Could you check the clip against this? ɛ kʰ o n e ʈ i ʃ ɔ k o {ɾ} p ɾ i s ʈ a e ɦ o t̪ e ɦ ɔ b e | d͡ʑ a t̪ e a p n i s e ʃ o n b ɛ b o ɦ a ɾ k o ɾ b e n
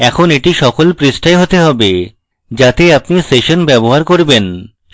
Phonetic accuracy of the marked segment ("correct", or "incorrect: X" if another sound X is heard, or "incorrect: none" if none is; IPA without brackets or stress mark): incorrect: l